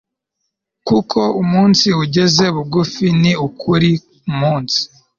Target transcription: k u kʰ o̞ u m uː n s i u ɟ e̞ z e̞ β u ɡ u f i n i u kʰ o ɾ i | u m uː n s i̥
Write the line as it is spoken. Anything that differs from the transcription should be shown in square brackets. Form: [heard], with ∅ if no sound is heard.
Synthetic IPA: k u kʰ o̞ u m uː n s i u ɟ e̞ z e̞ β u ɡ u f i n i u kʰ [u] ɾ i | u m uː n s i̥